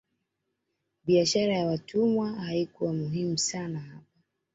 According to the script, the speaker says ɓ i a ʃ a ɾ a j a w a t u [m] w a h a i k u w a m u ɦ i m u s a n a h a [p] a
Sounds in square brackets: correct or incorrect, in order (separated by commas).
correct, correct